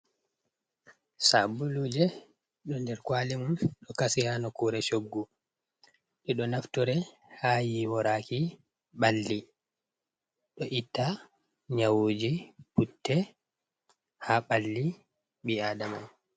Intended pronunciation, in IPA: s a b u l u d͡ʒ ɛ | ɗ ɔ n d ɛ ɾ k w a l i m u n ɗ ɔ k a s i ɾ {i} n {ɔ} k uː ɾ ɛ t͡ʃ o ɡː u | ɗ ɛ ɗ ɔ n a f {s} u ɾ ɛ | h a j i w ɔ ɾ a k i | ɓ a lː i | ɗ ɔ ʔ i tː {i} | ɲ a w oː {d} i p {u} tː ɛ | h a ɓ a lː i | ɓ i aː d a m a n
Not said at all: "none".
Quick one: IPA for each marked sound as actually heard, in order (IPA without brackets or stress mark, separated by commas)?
a, ɔ, t, a, d͡ʒ, u